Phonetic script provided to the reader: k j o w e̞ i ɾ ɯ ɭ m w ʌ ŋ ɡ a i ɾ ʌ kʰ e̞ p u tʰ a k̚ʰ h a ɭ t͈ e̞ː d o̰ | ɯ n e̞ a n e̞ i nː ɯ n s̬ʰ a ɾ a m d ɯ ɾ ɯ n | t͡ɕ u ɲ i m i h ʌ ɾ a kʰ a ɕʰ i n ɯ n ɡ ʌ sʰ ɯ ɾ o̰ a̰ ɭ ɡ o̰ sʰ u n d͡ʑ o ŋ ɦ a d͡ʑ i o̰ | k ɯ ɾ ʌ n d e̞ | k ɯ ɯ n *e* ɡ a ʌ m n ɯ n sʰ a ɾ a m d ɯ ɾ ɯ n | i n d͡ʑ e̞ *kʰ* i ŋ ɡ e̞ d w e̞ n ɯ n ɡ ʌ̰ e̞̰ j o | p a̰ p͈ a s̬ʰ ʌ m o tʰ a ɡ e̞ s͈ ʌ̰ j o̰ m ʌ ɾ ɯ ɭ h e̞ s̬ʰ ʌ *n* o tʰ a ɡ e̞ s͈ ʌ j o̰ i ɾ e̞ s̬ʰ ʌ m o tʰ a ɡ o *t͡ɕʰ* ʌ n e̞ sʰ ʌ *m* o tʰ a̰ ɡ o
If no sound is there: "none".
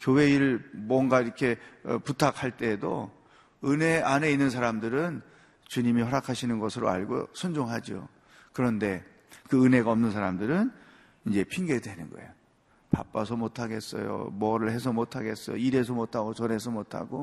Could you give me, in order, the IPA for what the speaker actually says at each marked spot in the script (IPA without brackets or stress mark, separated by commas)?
e, pʰ, m, t͡ɕ, m